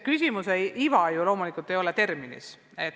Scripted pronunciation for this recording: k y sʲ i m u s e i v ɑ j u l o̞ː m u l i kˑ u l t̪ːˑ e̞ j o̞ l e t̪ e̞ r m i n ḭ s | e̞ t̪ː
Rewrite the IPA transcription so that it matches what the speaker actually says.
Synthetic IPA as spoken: k y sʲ i m u s e i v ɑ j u l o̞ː m u l i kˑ u l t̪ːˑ e̞ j o̞ l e t̪ e̞ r m i n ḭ s | e̞ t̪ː